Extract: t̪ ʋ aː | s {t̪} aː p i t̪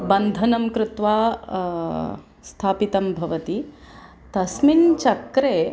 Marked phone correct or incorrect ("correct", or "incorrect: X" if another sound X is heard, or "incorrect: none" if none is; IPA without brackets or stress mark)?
incorrect: t̪ʰ